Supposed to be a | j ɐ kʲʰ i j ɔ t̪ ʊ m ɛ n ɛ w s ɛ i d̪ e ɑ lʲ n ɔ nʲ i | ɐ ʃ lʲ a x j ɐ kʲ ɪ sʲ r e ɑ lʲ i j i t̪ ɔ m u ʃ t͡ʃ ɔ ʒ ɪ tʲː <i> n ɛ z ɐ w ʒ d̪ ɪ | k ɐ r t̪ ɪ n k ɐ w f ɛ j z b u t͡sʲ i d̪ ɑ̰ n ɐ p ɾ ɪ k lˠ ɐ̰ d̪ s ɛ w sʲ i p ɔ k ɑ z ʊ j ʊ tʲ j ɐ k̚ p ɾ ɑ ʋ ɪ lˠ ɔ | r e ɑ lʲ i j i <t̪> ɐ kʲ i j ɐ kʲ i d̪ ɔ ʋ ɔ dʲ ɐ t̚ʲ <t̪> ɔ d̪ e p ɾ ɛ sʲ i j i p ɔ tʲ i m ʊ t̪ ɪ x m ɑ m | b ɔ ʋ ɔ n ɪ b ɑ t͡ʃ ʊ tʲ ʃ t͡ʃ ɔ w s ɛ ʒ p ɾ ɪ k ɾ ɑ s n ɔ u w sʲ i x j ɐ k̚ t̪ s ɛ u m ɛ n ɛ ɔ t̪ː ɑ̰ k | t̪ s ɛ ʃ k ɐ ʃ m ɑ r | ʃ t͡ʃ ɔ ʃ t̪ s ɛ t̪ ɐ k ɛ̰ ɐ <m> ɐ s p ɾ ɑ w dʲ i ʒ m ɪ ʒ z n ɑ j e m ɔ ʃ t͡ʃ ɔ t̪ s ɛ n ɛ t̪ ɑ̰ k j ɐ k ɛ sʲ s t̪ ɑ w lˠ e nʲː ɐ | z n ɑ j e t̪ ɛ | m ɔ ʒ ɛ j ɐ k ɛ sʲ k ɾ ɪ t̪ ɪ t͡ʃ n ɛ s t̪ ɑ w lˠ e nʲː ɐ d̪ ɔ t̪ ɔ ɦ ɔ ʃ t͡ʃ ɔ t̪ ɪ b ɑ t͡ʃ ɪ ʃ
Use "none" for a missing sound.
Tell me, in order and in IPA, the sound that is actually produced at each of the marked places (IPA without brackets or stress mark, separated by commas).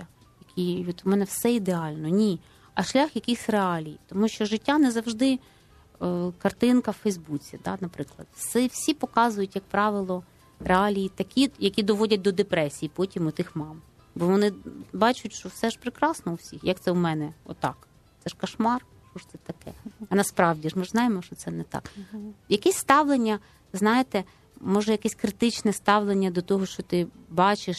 a, t̪, d̪, n